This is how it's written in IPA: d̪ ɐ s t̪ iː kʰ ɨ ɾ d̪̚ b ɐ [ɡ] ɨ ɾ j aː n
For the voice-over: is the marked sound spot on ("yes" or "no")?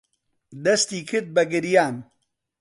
yes